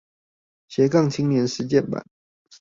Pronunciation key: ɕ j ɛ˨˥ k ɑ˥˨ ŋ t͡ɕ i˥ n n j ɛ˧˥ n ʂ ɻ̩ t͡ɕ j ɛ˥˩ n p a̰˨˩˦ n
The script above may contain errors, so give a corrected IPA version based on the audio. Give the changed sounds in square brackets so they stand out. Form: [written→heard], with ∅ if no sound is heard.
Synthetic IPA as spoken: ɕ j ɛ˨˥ k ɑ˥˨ ŋ [t͡ɕ→t͡ɕʰ] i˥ [n→ŋ] n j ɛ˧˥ n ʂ ɻ̩ t͡ɕ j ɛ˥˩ n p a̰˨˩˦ n